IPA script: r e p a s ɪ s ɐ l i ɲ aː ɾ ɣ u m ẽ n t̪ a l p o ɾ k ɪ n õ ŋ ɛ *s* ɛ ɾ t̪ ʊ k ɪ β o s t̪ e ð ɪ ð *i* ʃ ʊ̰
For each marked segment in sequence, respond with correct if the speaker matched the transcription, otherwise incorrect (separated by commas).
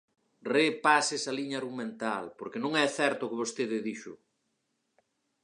incorrect, correct